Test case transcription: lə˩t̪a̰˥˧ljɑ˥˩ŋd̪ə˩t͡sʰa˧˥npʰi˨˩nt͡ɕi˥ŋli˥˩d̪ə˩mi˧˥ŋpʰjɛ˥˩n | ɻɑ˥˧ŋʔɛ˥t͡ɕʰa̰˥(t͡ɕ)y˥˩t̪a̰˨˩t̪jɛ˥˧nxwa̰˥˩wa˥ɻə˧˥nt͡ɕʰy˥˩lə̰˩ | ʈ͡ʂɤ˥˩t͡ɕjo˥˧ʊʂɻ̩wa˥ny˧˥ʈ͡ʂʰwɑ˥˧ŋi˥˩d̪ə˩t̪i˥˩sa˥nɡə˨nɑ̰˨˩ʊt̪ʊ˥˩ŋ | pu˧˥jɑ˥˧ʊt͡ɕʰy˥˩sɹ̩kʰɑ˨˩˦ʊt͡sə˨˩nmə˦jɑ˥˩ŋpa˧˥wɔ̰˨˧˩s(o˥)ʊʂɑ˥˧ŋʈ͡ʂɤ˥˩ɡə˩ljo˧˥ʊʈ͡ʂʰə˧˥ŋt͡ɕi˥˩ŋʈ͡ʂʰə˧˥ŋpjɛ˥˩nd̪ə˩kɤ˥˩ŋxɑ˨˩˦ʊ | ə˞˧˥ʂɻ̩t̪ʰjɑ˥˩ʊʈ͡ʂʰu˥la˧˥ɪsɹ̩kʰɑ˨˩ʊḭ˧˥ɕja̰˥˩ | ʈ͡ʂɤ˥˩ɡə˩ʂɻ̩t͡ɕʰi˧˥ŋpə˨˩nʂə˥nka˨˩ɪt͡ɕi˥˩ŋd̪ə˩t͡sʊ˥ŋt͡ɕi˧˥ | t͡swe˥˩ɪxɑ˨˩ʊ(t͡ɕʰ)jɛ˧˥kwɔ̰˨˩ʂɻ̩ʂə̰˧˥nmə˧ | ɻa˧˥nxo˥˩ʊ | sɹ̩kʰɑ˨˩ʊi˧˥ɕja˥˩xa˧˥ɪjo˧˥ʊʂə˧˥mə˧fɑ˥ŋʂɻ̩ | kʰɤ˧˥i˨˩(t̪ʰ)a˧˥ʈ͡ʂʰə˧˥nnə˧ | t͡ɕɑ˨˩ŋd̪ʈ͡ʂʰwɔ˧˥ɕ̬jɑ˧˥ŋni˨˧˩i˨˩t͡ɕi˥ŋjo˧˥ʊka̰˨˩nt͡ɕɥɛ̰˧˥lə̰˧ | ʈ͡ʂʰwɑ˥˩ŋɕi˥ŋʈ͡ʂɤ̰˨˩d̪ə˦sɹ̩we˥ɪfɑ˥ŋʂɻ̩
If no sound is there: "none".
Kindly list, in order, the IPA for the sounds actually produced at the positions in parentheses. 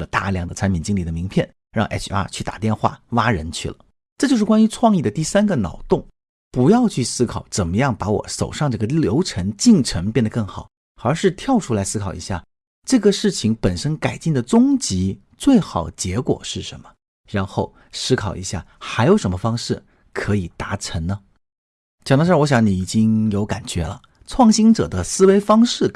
t͡ɕʰ, o˨˩, t͡ɕ, t̪

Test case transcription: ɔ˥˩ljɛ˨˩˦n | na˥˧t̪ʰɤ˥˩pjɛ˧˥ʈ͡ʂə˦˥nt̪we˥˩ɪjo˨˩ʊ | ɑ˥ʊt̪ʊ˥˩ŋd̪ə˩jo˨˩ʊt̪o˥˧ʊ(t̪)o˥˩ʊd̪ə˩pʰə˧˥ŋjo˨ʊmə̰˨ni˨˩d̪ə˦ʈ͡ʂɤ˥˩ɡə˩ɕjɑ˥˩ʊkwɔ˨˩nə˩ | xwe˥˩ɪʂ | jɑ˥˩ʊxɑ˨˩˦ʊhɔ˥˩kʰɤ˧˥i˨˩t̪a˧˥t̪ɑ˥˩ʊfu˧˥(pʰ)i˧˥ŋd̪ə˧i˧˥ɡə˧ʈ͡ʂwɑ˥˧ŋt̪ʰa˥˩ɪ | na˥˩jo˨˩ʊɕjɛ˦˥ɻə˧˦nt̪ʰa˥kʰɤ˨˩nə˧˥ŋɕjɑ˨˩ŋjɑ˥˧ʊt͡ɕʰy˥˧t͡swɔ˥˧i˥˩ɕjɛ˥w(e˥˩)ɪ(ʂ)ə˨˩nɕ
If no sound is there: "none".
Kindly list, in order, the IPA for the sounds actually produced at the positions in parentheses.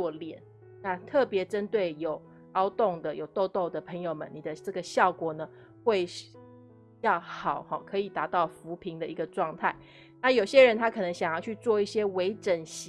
t̪, pʰ, e˧˥, ʈ͡ʂ

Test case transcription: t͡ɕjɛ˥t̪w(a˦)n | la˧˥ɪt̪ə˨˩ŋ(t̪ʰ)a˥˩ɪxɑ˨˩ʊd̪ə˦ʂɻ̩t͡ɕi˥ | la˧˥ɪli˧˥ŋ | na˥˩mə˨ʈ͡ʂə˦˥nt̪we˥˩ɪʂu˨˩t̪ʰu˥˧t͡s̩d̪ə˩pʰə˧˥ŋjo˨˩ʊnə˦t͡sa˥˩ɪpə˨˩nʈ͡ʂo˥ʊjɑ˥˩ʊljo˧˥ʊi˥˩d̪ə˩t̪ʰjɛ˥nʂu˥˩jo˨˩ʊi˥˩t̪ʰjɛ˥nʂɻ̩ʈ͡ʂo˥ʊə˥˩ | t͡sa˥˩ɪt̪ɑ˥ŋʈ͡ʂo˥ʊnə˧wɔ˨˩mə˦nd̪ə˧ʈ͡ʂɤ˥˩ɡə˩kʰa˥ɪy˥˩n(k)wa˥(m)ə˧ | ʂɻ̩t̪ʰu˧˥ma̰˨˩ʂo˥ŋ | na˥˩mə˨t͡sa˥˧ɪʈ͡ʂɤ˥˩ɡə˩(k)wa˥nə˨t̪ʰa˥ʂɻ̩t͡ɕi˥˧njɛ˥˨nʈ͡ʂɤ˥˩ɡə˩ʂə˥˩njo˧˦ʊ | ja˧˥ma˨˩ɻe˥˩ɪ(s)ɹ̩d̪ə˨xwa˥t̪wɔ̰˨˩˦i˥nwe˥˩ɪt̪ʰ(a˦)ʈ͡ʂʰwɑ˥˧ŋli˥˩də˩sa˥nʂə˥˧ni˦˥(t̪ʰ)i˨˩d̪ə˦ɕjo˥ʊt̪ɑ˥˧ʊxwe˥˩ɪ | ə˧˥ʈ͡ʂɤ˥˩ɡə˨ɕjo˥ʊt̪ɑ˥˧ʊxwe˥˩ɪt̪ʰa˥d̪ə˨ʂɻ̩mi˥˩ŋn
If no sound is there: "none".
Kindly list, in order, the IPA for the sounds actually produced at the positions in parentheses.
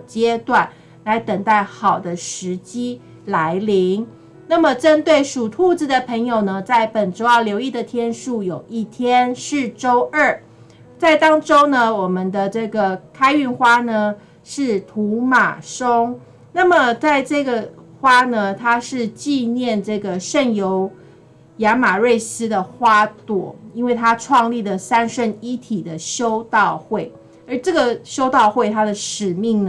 a˥˩, t̪, x, n, x, s, a˦, t̪ʰ

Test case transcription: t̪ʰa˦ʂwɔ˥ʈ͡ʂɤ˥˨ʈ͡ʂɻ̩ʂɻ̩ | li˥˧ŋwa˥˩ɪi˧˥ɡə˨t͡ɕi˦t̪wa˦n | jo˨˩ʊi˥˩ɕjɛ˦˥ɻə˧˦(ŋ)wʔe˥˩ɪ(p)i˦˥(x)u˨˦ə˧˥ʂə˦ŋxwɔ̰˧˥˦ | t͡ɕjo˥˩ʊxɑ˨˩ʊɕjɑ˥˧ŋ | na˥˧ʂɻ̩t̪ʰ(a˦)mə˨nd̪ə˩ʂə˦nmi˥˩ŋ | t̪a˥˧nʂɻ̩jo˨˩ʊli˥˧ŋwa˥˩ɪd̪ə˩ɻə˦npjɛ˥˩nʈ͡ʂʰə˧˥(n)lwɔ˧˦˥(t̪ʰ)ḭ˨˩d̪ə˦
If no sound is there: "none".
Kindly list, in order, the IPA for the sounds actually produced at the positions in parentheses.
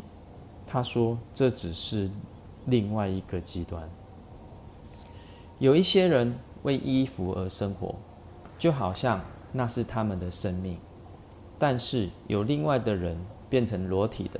n, ʔ, f, a˦, ŋ, t̪ʰ

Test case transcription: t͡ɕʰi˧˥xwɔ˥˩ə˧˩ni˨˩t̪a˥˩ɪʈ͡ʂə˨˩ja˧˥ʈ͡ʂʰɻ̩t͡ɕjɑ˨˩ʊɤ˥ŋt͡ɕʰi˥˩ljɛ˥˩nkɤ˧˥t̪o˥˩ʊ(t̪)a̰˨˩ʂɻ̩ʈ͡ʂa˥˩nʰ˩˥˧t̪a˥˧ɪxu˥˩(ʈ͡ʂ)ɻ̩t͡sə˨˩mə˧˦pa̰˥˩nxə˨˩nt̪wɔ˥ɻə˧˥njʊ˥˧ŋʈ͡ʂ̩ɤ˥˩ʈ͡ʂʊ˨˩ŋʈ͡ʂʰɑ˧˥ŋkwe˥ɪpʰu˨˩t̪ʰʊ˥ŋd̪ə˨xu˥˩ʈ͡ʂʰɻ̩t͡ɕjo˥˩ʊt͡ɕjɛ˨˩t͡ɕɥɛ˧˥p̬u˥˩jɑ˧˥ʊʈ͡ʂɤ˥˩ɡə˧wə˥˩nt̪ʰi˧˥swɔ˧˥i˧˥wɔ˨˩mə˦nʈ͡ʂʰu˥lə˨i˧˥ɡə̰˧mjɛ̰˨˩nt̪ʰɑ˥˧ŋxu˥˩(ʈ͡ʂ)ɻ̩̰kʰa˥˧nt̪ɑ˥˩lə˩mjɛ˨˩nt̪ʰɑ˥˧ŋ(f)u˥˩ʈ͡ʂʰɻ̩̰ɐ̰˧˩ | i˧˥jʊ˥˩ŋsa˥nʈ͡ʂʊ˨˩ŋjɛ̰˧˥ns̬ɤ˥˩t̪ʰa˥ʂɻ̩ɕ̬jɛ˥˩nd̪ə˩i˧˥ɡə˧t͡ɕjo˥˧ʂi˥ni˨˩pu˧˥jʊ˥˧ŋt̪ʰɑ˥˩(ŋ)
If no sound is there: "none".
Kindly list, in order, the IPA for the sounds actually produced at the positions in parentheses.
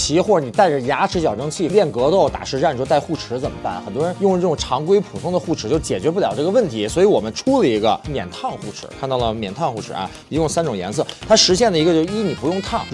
t̪, ʈ͡ʂʰ, ʈ͡ʂʰ, x, ŋ

